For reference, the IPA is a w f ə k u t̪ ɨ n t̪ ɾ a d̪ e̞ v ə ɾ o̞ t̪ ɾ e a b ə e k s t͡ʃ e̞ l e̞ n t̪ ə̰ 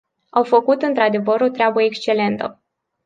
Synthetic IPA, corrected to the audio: a w f ə k u t̪ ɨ n t̪ ɾ a d̪ e̞ v ə ɾ o̞ t̪ ɾ e a b ə e k s t͡ʃ e̞ l e̞ n t̪ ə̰